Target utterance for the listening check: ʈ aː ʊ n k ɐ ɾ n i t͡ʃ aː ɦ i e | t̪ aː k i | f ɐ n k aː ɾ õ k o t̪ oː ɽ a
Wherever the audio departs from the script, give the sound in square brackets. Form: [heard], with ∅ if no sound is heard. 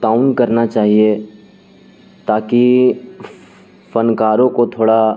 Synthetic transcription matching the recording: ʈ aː ʊ n k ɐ ɾ n [a] t͡ʃ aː ɦ i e | t̪ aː k i | f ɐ n k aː ɾ õ k o [t̪ʰ] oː ɽ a